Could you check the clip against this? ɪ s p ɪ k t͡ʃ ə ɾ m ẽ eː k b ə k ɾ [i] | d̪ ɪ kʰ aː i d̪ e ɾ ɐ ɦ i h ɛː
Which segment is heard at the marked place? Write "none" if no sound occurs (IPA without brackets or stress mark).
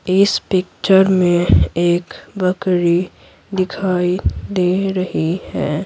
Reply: i